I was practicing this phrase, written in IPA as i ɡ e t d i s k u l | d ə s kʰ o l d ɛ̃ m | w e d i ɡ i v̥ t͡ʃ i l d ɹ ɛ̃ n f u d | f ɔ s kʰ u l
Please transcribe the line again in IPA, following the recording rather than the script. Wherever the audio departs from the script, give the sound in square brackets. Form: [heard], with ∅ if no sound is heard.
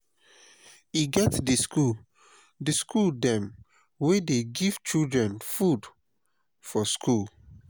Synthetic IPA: i ɡ [ɛ] t d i s k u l | d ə s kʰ [u] l d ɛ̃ m | w e d [e] ɡ i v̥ t͡ʃ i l d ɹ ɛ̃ n f u d | f ɔ s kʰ u l